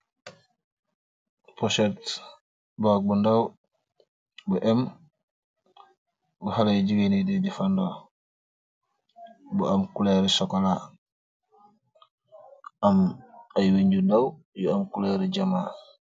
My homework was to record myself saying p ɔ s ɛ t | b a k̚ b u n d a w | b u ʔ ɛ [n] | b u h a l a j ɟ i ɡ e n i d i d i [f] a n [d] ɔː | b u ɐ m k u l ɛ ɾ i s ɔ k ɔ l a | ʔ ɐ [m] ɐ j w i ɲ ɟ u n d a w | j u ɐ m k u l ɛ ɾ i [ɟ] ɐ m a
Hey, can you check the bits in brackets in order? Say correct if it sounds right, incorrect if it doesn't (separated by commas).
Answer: incorrect, correct, correct, correct, correct